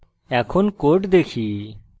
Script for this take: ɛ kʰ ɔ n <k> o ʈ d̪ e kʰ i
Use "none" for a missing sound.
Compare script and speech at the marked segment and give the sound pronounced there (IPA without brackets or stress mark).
k